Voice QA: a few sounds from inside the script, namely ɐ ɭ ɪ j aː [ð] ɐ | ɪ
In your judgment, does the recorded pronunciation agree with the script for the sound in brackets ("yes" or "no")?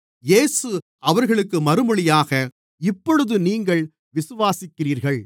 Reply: no